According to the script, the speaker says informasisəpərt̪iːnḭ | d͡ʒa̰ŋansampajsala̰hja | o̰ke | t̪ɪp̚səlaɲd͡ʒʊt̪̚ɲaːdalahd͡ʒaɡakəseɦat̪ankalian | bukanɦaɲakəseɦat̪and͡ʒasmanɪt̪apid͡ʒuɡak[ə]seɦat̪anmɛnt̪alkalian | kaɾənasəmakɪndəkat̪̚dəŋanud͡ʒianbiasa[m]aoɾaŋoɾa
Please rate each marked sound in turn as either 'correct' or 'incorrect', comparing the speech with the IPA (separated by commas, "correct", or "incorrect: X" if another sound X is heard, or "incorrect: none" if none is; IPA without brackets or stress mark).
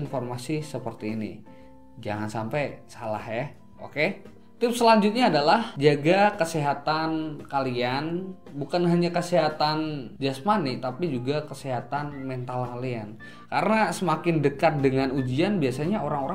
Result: correct, incorrect: ɲ